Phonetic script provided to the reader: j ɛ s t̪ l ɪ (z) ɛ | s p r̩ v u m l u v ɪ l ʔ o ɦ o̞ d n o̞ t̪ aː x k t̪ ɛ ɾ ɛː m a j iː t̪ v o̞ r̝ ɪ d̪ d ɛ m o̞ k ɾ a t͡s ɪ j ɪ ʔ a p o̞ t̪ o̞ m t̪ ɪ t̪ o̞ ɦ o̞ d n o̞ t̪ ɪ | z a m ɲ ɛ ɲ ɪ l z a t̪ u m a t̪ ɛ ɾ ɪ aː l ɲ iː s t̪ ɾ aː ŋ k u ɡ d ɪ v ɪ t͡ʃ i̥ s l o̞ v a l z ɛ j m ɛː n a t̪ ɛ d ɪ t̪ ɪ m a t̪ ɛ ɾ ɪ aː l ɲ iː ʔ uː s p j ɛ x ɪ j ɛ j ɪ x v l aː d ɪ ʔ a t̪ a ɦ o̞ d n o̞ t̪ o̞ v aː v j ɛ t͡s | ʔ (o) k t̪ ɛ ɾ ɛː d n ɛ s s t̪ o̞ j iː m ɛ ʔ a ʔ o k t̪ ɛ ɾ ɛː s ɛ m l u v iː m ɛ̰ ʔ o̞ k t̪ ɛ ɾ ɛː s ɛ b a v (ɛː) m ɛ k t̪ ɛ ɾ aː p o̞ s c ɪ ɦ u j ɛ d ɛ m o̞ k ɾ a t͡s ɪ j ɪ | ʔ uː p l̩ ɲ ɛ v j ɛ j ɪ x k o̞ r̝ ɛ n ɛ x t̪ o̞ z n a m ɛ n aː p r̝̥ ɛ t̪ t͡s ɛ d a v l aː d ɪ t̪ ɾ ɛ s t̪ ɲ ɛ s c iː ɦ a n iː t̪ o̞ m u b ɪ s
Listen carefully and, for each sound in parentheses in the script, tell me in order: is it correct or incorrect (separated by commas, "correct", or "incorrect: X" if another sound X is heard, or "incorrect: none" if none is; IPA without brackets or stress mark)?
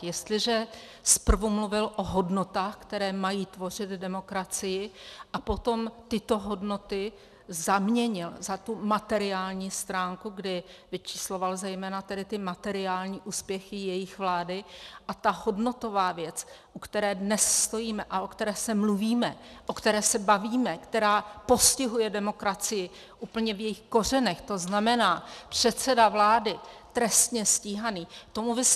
incorrect: ʒ, incorrect: u, incorrect: iː